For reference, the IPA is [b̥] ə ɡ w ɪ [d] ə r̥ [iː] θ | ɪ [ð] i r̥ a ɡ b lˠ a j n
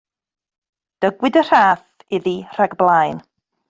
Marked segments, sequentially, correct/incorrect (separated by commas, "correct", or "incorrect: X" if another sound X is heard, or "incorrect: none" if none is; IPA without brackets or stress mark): incorrect: d̥, correct, incorrect: aː, correct